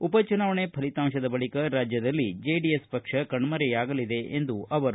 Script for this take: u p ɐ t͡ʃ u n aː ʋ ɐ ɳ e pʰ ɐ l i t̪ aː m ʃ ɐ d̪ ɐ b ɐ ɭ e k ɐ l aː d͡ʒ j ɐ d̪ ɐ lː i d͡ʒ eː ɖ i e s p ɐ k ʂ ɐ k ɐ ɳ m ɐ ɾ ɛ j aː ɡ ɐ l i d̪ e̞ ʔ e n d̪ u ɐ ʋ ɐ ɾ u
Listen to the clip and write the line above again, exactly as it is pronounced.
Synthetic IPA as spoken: u p ɐ t͡ʃ u n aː ʋ ɐ ɳ e pʰ ɐ l i t̪ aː m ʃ ɐ d̪ ɐ b ɐ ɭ i k ɐ ɾ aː d͡ʒ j ɐ d̪ ɐ lː i d͡ʒ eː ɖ i e s p ɐ k ʂ ɐ k ɐ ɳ m ɐ ɾ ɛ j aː ɡ ɐ l i d̪ e̞ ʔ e n d̪ u ɐ ʋ ɐ ɾ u